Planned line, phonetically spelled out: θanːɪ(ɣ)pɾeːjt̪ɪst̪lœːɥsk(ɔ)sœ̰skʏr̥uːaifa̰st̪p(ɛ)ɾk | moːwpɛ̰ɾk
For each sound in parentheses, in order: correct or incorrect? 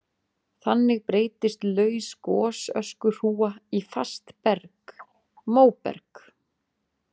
correct, incorrect: ɔː, correct

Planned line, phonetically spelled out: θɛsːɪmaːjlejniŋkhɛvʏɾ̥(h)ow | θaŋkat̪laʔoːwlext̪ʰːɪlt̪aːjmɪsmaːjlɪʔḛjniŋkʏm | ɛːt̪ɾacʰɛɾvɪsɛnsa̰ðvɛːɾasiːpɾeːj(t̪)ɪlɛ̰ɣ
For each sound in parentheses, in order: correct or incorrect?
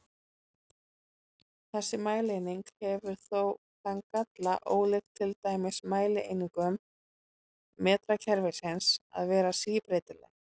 incorrect: θ, correct

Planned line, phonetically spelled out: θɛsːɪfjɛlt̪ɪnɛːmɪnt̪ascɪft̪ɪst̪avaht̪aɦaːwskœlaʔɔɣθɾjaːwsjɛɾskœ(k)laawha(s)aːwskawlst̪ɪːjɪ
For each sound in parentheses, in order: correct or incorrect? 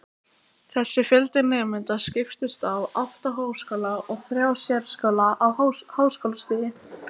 incorrect: none, incorrect: h

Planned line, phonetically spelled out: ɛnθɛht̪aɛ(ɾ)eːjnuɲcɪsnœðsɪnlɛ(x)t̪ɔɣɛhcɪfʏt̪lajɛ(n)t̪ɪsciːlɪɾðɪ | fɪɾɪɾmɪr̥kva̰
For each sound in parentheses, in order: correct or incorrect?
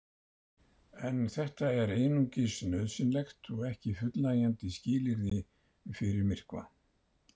correct, correct, correct

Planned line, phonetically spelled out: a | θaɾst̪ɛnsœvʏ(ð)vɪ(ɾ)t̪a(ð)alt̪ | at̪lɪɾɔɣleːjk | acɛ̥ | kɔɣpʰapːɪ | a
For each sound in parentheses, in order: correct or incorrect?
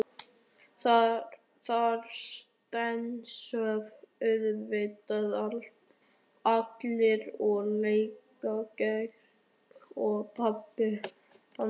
correct, incorrect: none, correct

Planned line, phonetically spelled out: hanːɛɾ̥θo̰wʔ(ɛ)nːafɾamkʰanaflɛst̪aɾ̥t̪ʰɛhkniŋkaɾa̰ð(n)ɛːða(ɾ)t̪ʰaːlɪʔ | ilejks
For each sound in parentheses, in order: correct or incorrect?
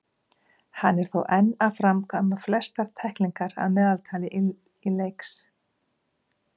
correct, incorrect: m, incorrect: l

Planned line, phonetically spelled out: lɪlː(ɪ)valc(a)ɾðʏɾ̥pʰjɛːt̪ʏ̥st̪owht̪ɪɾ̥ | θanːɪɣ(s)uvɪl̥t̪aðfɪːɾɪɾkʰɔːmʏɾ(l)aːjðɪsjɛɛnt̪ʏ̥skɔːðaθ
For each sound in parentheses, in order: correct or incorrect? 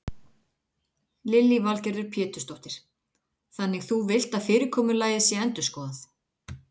incorrect: i, incorrect: ɛ, incorrect: θ, correct

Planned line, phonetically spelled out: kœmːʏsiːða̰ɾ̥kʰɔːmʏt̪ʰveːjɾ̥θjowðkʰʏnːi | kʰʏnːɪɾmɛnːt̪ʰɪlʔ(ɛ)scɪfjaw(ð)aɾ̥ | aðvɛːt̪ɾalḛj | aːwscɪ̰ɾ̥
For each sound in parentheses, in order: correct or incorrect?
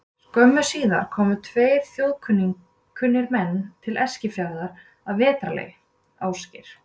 correct, correct

